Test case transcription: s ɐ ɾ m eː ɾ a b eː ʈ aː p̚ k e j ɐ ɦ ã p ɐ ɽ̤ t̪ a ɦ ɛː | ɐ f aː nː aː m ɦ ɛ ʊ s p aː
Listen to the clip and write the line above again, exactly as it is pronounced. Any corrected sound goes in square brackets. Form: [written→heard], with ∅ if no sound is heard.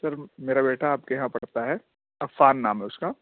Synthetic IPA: s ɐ ɾ m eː ɾ a b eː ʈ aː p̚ k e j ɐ ɦ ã p ɐ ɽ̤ t̪ a ɦ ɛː | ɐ f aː nː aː m ɦ ɛ ʊ s [p→k] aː